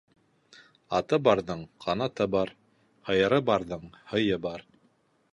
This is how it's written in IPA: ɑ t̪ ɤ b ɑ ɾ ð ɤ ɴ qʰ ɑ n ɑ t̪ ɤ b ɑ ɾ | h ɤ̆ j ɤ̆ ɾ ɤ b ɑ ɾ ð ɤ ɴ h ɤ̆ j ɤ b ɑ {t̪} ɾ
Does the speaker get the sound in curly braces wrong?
yes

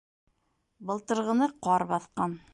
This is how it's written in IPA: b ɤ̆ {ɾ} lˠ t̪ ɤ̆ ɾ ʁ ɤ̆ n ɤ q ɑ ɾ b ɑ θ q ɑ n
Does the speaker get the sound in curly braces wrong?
yes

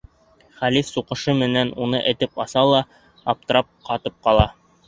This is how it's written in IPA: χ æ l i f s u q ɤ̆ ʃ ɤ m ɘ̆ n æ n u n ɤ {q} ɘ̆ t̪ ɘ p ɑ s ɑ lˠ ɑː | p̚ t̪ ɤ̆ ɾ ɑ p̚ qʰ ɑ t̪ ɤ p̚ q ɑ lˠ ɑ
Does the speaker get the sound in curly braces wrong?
yes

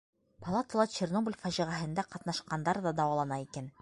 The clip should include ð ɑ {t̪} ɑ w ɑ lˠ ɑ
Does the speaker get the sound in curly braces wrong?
yes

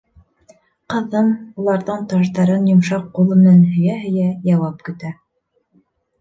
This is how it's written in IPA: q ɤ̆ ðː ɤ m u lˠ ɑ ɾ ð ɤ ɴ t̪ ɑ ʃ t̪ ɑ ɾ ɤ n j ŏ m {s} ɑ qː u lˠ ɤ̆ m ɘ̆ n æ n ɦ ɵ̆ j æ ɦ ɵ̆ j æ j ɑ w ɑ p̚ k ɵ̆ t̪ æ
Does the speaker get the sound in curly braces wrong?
yes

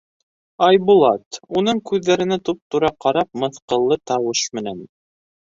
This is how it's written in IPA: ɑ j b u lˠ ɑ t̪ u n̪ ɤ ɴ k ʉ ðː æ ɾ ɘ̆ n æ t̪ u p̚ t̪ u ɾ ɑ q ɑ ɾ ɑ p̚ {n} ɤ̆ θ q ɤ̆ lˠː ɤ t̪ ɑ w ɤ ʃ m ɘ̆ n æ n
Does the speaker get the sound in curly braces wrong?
yes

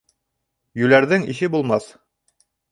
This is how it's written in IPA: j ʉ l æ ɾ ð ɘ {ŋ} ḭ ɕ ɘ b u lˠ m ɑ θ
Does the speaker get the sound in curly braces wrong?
no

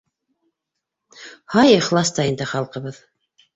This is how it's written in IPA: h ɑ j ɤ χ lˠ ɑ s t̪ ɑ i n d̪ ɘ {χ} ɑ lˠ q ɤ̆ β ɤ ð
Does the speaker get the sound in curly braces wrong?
no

